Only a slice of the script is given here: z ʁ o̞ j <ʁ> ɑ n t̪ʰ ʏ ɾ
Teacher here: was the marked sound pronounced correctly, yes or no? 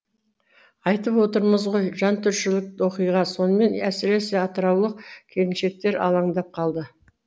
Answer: no